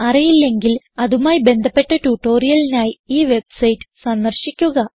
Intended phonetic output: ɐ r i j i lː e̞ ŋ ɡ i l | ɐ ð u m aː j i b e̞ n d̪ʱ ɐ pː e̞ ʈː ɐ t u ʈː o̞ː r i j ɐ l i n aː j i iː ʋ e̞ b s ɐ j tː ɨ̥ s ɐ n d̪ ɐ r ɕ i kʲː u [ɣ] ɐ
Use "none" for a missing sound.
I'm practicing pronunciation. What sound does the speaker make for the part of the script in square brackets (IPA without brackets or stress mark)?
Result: ɣ